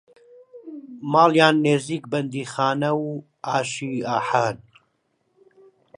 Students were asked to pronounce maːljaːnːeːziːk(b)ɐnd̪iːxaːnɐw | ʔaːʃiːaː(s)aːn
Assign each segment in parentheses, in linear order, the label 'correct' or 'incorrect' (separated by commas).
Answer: correct, incorrect